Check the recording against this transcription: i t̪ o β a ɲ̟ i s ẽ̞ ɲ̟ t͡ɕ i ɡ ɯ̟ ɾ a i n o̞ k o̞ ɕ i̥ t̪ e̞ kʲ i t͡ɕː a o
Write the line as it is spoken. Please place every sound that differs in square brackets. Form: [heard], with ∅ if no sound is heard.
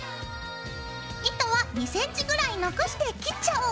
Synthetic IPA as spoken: i t̪ o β a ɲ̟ i s ẽ̞ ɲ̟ t͡ɕ i ɡ ɯ̟ ɾ a i n o̞ k o̞ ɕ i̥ t̪ e̞ kʲ i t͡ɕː a o